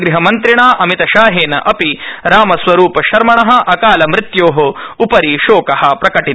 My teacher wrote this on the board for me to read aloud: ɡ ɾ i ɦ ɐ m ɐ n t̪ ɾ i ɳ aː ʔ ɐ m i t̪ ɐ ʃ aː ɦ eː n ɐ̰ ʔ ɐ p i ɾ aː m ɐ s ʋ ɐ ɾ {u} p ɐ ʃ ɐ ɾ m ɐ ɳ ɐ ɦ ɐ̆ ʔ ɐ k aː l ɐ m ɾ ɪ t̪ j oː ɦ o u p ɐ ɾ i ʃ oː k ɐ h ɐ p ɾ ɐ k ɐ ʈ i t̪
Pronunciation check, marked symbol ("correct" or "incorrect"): incorrect